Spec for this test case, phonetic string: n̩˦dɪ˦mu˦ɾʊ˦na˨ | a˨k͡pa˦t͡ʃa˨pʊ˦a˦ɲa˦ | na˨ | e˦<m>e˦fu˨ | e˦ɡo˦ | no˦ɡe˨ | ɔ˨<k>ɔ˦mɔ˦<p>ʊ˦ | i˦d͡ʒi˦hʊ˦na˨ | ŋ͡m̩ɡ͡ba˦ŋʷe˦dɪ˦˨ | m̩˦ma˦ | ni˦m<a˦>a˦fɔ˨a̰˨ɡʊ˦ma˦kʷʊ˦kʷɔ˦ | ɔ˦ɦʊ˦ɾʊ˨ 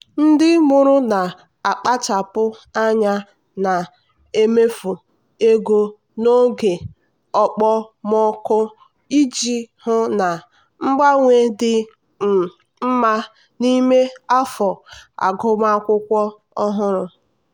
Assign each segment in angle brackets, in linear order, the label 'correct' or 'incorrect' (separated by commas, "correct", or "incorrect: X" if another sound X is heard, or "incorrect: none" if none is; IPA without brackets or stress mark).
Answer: correct, incorrect: k͡p, incorrect: k, incorrect: e˦